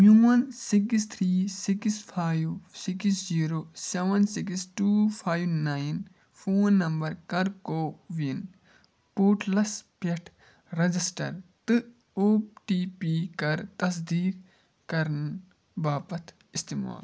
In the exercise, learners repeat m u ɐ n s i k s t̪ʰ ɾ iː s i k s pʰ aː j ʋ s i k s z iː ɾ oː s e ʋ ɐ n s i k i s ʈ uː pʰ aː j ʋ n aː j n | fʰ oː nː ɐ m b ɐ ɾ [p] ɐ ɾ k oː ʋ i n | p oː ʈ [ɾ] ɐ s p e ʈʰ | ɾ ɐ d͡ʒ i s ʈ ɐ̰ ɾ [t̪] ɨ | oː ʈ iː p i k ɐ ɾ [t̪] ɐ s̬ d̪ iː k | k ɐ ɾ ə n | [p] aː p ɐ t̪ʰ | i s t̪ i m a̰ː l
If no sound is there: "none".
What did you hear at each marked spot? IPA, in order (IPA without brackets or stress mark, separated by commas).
k, l, t̪, t̪, b